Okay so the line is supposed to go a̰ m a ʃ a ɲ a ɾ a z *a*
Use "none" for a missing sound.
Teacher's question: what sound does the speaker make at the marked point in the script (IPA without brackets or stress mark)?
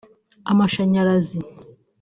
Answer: i